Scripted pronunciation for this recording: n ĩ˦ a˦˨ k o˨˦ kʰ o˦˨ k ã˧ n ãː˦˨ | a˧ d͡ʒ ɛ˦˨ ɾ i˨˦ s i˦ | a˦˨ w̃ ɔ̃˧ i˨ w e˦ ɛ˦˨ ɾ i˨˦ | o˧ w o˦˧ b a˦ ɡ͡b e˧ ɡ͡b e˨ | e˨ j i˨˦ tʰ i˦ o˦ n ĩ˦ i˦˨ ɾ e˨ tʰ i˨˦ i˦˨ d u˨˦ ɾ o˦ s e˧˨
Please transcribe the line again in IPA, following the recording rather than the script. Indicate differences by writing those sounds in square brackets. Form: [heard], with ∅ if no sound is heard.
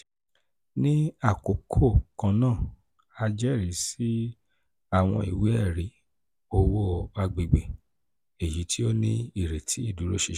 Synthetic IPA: n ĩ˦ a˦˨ k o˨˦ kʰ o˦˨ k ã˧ n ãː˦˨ | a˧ d͡ʒ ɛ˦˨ ɾ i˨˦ s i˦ | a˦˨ w̃ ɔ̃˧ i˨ w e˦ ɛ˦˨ ɾ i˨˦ | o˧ w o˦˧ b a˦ ɡ͡b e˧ ɡ͡b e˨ | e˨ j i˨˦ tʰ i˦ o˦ n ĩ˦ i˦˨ ɾ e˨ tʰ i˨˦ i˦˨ d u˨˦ ɾ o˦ [ʃ] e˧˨